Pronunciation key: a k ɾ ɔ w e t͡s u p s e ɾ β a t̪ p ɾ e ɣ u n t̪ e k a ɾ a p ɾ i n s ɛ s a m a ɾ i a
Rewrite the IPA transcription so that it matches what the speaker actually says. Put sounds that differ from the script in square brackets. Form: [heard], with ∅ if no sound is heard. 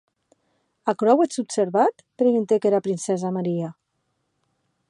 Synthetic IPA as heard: a k ɾ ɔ w e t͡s u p s e ɾ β a t̪ p ɾ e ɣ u n t̪ e k [e] ɾ a p ɾ i n s ɛ [z] a m a ɾ i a